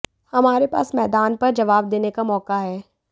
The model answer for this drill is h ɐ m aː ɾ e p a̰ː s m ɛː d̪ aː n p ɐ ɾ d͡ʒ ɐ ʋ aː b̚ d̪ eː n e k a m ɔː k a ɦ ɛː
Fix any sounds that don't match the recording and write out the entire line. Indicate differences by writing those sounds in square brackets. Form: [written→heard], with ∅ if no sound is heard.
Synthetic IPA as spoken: h ɐ m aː ɾ e p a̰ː s m ɛː d̪ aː n p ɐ ɾ d͡ʒ ɐ ʋ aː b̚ d̪ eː n e k a m ɔː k a ɦ ɛː